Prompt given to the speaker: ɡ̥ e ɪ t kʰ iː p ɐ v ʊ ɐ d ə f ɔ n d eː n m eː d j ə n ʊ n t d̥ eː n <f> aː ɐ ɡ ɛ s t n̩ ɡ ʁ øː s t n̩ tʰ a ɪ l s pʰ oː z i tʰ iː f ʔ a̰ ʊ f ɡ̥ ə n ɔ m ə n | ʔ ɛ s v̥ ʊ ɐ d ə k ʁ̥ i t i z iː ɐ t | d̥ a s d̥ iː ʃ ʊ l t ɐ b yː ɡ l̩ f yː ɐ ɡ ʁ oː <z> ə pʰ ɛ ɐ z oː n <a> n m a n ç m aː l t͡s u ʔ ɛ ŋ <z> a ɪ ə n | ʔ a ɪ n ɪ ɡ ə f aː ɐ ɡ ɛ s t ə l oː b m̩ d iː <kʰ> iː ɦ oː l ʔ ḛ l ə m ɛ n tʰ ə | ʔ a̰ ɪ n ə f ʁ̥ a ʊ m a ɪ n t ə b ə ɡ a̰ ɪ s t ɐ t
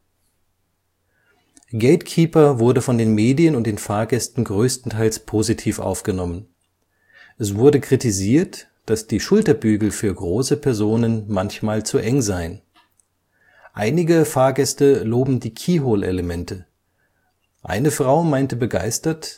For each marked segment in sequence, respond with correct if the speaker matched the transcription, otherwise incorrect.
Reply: correct, incorrect: s, incorrect: ə, correct, correct

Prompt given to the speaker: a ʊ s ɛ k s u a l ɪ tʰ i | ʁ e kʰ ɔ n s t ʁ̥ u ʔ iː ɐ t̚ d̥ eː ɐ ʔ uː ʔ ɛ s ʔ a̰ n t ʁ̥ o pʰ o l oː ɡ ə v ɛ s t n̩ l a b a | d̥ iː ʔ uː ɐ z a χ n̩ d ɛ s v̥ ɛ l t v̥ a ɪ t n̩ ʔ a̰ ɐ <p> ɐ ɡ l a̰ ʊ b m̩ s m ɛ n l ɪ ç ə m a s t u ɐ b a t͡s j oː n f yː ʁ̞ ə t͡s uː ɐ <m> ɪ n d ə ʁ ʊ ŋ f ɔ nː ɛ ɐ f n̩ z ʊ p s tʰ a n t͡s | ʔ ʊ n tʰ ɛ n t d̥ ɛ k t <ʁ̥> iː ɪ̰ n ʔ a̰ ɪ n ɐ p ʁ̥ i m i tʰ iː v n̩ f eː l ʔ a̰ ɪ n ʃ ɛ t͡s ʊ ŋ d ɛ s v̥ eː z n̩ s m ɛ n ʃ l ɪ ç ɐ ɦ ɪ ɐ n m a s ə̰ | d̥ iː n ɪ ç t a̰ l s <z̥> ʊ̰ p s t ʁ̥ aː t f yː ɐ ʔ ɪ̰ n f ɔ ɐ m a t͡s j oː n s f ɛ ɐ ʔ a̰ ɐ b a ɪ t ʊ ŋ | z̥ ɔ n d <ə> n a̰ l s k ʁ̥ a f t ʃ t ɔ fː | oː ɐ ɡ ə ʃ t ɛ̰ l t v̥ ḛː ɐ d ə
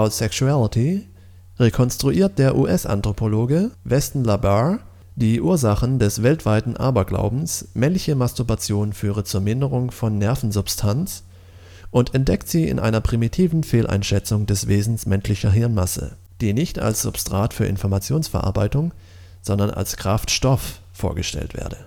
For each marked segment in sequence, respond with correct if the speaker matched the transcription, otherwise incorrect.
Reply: incorrect: b, correct, incorrect: z̥, correct, incorrect: ɐ

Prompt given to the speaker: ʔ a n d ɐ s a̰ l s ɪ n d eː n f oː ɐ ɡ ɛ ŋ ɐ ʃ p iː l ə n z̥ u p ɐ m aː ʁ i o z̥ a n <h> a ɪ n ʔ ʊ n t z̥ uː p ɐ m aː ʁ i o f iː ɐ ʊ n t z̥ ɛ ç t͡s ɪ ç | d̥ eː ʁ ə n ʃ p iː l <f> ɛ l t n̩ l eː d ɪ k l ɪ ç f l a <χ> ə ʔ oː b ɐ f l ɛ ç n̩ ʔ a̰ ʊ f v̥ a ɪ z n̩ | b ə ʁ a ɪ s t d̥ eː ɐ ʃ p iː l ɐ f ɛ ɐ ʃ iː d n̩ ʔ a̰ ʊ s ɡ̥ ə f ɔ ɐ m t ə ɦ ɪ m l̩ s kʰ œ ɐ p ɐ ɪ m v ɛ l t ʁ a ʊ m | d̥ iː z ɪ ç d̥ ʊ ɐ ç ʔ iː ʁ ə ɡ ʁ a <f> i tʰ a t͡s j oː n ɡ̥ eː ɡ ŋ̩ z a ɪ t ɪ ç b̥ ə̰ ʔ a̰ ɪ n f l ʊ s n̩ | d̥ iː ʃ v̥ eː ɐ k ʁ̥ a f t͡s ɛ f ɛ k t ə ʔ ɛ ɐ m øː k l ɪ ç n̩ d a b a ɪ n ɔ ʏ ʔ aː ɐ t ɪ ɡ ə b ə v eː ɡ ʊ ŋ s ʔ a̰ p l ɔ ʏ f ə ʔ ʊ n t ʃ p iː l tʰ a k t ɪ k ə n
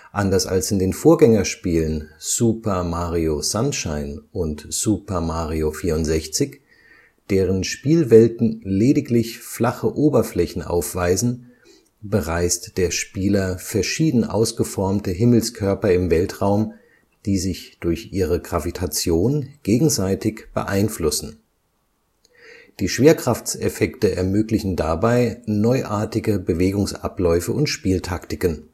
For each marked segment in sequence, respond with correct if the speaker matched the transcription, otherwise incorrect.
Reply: incorrect: ʃ, incorrect: v, correct, incorrect: v

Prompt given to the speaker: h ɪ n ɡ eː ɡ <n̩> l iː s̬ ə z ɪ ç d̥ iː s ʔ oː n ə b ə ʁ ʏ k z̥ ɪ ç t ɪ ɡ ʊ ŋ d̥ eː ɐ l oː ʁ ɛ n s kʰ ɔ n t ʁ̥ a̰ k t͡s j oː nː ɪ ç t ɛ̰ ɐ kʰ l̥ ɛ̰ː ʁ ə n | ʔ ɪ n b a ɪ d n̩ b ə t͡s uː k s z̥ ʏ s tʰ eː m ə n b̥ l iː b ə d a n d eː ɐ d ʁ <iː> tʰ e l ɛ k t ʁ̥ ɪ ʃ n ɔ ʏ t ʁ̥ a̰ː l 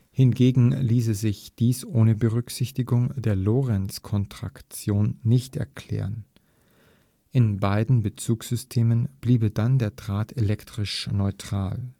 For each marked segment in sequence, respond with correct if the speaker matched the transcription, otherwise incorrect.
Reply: incorrect: ŋ̩, incorrect: aː

